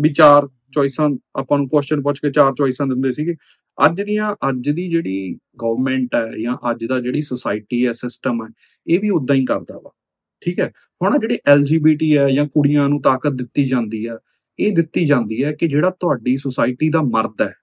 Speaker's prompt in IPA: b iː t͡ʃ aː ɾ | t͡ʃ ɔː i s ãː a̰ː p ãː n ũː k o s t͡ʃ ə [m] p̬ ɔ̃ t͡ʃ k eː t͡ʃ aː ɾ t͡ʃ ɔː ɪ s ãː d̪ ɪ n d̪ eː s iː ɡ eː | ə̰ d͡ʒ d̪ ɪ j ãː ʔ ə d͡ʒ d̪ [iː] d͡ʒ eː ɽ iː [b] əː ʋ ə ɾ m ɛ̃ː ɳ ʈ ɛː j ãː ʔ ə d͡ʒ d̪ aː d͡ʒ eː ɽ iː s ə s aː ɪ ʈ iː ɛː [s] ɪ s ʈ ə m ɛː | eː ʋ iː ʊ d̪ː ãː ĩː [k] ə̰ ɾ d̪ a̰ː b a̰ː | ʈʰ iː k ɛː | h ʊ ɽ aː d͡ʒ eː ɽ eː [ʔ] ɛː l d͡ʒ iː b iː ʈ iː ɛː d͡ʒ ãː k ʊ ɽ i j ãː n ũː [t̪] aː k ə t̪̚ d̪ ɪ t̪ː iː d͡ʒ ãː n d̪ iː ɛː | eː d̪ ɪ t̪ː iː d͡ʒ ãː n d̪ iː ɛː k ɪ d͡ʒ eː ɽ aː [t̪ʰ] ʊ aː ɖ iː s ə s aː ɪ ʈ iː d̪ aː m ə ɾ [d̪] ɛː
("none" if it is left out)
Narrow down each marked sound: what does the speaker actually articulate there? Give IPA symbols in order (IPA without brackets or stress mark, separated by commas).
n, iː, ɡ, s, k, ʔ, t̪, t̪, d̪